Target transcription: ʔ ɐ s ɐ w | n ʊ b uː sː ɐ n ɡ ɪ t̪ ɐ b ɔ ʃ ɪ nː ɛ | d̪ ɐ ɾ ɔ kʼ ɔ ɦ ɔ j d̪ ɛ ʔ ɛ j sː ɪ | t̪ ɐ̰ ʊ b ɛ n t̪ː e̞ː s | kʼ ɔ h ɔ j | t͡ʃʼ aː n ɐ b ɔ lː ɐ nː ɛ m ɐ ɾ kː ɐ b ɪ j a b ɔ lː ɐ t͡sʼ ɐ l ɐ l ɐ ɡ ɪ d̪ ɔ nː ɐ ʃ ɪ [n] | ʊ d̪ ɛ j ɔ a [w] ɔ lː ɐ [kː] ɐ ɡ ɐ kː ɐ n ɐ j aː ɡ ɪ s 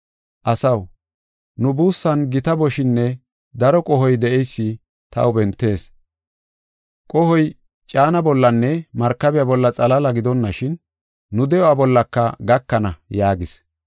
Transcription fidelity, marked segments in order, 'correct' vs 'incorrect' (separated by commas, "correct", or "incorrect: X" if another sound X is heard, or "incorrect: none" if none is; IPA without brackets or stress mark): incorrect: nː, incorrect: b, correct